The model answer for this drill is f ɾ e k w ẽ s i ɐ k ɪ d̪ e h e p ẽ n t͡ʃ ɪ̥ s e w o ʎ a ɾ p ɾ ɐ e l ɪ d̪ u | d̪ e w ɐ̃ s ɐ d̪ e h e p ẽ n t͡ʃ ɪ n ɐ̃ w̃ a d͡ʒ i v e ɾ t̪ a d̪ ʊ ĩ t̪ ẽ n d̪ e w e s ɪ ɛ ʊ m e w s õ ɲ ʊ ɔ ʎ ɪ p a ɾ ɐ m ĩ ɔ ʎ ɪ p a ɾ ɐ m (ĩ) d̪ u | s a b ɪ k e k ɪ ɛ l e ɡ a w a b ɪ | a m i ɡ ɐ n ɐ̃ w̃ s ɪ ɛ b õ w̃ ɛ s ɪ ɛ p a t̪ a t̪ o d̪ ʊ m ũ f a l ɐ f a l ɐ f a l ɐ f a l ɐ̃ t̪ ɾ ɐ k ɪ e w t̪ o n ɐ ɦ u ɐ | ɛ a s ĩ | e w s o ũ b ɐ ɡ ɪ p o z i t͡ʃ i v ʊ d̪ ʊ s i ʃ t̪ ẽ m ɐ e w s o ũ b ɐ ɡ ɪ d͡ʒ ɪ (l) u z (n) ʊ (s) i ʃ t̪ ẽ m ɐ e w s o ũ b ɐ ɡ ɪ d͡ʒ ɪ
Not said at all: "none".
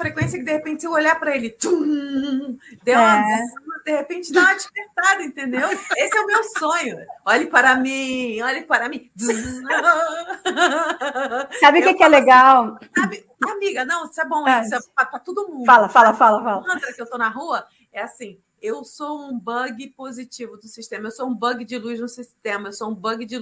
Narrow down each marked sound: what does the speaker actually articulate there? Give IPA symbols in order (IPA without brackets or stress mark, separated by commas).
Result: ĩ, l, n, s